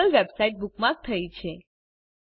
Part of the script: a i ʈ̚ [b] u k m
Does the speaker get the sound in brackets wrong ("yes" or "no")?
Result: no